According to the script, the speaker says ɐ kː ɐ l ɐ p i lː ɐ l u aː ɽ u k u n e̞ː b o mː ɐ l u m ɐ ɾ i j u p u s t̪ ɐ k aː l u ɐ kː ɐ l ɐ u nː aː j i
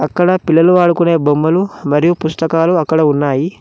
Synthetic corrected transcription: ɐ kː ɐ ɽ ɐ p i lː ɐ l u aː ɽ u k u n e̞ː b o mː ɐ l u m ɐ ɾ i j u p u s t̪ ɐ k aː l u ɐ kː ɐ ɽ ɐ u nː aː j i